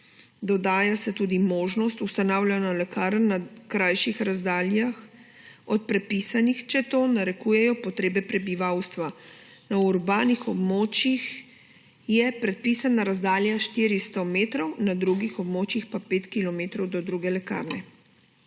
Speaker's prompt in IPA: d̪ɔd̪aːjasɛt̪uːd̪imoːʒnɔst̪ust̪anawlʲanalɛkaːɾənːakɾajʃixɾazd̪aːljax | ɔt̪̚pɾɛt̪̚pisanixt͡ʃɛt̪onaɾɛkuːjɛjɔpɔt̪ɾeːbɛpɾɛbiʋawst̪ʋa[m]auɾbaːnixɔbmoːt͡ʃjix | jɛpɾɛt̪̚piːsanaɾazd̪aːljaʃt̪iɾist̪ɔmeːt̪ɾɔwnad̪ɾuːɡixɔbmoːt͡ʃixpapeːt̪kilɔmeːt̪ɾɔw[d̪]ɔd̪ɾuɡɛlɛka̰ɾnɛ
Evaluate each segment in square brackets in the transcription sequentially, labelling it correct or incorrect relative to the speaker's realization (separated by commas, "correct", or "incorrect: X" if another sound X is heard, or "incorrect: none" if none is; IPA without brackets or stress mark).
incorrect: n, correct